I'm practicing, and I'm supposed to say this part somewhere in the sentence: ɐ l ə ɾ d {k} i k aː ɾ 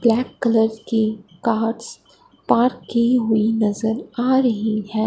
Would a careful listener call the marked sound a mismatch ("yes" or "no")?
no